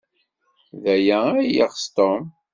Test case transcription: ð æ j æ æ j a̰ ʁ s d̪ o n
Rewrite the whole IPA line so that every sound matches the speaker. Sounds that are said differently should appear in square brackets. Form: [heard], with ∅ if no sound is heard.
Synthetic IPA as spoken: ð æ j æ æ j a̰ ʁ s [t̪] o [m]